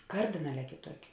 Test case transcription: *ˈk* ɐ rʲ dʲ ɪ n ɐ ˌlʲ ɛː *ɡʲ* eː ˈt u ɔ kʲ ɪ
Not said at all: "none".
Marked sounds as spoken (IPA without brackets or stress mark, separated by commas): k, kʲ